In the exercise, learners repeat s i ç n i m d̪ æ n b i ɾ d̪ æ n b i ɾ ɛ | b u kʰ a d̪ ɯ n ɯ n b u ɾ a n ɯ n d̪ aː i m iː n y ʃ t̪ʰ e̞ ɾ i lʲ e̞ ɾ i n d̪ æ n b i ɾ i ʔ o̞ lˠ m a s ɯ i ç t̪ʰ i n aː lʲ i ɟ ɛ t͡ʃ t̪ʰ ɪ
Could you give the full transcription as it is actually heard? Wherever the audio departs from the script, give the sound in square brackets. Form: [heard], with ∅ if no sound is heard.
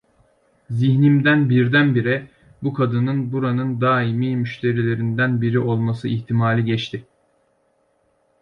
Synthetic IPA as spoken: [z] i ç n i m d̪ æ n b i ɾ d̪ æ n b i ɾ ɛ | b u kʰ a d̪ ɯ n ɯ n b u ɾ a n ɯ n d̪ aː i m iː [m] y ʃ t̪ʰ e̞ ɾ i lʲ e̞ ɾ i n d̪ æ n b i ɾ i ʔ o̞ lˠ m a s ɯ i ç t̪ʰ i [m] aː lʲ i ɟ ɛ t͡ʃ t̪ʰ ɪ